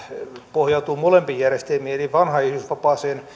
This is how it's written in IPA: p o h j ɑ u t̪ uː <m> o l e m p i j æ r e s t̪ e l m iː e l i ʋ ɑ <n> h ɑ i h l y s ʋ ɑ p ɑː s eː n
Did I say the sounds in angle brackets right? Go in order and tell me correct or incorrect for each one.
correct, correct

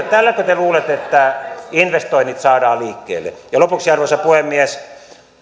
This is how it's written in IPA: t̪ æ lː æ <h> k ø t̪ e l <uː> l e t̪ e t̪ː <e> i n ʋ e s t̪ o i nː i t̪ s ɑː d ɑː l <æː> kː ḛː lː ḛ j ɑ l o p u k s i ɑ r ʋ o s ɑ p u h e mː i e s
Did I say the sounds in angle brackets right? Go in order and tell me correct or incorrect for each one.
incorrect, correct, incorrect, incorrect

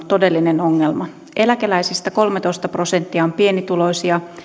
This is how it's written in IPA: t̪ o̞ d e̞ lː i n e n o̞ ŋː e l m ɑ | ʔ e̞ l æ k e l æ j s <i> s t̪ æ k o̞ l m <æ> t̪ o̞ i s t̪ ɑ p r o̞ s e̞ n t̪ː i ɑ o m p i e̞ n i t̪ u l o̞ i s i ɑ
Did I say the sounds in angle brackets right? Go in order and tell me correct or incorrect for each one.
correct, incorrect

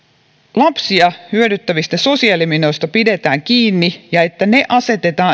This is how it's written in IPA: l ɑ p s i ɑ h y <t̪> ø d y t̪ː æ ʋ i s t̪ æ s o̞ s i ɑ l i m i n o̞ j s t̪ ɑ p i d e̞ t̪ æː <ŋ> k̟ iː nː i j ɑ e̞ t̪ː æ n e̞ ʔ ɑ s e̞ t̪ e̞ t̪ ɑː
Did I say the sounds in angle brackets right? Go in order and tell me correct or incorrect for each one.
incorrect, correct

